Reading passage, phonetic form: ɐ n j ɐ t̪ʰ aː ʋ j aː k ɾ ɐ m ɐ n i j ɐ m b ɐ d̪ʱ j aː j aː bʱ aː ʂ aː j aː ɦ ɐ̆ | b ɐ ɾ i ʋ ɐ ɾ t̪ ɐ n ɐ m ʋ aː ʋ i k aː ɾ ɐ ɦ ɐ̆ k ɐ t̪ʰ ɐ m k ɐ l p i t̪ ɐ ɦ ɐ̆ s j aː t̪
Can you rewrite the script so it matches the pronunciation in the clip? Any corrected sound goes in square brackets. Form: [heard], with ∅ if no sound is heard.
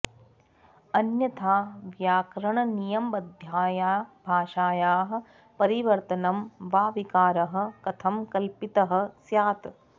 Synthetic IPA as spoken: ɐ n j ɐ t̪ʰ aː ʋ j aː k ɾ ɐ [ɳ] ɐ n i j ɐ m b ɐ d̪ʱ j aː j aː bʱ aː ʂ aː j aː ɦ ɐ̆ | [p] ɐ ɾ i ʋ ɐ ɾ t̪ ɐ n ɐ m ʋ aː ʋ i k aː ɾ ɐ ɦ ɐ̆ k ɐ t̪ʰ ɐ m k ɐ l p i t̪ ɐ ɦ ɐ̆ s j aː t̪

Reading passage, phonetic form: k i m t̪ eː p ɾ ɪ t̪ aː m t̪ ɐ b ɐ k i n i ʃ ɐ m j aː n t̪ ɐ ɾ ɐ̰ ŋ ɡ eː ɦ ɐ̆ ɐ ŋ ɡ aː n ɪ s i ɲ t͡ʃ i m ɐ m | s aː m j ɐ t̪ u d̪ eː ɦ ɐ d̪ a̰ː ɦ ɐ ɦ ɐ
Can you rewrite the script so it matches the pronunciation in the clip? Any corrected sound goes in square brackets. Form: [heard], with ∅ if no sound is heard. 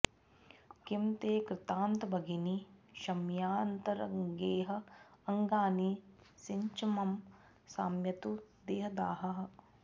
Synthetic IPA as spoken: k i m t̪ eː [k] ɾ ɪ t̪ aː [n] t̪ ɐ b ɐ [ɡ] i n i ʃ ɐ m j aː n t̪ ɐ ɾ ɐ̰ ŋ ɡ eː ɦ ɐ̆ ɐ ŋ ɡ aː n [i] s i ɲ t͡ʃ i m ɐ m | s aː m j ɐ t̪ u d̪ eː ɦ ɐ d̪ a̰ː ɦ ɐ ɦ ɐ

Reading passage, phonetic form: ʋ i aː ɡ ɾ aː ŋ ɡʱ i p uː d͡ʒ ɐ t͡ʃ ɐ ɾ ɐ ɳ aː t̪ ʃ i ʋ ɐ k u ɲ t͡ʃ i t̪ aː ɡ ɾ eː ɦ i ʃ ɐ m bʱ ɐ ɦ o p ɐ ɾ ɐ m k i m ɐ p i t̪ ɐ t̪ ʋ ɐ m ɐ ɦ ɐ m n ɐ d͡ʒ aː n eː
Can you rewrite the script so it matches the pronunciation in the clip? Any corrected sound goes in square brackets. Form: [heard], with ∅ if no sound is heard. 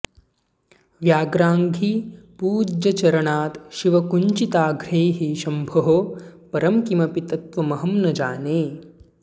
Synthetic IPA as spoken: ʋ [j] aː ɡ ɾ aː ŋ ɡʱ i p uː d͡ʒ ɐ t͡ʃ ɐ ɾ ɐ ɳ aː t̪ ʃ i ʋ ɐ k u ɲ t͡ʃ i t̪ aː ɡ ɾ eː ɦ i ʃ ɐ m bʱ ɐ ɦ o p ɐ ɾ ɐ m k i m ɐ p i t̪ ɐ t̪ ʋ ɐ m ɐ ɦ ɐ m n ɐ d͡ʒ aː n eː

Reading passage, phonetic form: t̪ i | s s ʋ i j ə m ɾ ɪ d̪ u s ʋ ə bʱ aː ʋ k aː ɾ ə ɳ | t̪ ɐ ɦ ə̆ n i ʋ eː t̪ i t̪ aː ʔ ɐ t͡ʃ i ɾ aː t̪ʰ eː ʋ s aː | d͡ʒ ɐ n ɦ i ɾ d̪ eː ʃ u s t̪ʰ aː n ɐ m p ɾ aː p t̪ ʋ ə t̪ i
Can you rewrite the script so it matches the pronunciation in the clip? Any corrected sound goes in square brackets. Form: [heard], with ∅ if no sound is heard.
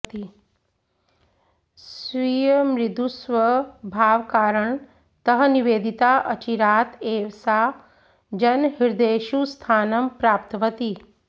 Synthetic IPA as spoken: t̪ i | s s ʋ i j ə m ɾ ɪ d̪ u s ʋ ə bʱ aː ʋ k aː ɾ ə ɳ | t̪ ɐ ɦ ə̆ n i ʋ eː [d̪] i t̪ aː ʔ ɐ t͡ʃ i ɾ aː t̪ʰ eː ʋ s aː | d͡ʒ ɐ n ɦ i ɾ d̪ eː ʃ u s t̪ʰ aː n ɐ m p ɾ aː p t̪ ʋ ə t̪ i

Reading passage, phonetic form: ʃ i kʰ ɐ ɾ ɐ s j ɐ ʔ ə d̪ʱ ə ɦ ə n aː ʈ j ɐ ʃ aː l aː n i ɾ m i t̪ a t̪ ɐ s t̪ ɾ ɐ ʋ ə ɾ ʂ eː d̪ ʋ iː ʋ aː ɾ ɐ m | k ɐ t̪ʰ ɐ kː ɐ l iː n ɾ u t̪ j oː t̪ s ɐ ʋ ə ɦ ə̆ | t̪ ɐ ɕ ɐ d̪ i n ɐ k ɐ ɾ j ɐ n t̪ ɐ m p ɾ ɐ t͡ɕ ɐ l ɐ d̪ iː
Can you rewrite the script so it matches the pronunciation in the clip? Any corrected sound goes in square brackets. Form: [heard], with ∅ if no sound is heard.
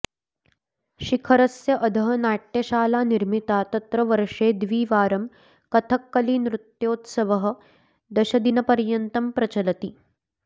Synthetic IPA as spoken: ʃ i kʰ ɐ ɾ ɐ s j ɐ ʔ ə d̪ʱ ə ɦ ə n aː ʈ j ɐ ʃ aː l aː n i ɾ m i t̪ a t̪ ɐ [∅] t̪ ɾ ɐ ʋ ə ɾ ʂ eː d̪ ʋ iː ʋ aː ɾ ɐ m | k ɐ t̪ʰ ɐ kː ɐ l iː n ɾ u t̪ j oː t̪ s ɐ ʋ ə ɦ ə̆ | [d̪] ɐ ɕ ɐ d̪ i n ɐ [p] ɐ ɾ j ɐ n t̪ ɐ m p ɾ ɐ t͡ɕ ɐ l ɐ [t̪] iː

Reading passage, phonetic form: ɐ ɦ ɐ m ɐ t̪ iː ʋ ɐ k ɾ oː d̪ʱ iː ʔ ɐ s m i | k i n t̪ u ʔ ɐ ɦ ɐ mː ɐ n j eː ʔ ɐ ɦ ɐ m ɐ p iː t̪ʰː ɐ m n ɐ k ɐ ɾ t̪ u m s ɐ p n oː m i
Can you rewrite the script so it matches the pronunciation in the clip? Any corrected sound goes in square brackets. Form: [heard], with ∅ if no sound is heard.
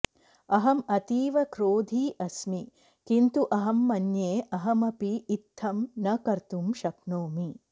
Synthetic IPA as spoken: ɐ ɦ ɐ m ɐ t̪ iː ʋ ɐ k ɾ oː d̪ʱ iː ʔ ɐ s m i | k i n t̪ u ʔ ɐ ɦ ɐ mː ɐ n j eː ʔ ɐ ɦ ɐ m ɐ p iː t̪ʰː ɐ m n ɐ k ɐ ɾ t̪ u m [ʃ] ɐ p n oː m i

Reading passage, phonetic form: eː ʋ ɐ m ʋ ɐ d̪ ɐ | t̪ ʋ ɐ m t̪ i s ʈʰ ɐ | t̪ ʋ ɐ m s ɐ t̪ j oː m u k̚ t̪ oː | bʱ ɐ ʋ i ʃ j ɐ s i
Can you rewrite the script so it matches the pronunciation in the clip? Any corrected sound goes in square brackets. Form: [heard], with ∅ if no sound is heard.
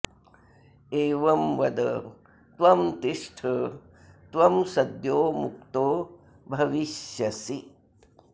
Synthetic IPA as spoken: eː ʋ ɐ m ʋ ɐ d̪ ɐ | t̪ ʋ ɐ m t̪ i [ʂ] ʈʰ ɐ | t̪ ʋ ɐ m s ɐ [d̪] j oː m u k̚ t̪ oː | bʱ ɐ ʋ i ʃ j ɐ s i

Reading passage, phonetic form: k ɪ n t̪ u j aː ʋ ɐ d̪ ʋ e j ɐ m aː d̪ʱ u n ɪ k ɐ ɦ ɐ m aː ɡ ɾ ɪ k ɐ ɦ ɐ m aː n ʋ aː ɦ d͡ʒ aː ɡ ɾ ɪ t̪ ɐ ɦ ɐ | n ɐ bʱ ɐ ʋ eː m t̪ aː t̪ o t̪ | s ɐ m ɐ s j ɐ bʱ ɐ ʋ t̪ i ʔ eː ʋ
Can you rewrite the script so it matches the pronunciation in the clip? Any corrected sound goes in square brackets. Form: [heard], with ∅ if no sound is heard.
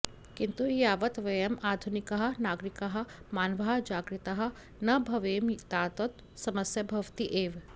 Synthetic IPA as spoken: k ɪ n t̪ u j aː ʋ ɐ [t̪] ʋ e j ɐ m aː d̪ʱ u n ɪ k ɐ ɦ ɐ [n] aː ɡ ɾ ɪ k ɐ ɦ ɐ m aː n ʋ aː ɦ d͡ʒ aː ɡ ɾ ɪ t̪ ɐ ɦ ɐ | n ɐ bʱ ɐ ʋ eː m t̪ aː t̪ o t̪ | s ɐ m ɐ s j ɐ bʱ ɐ ʋ t̪ i ʔ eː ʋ

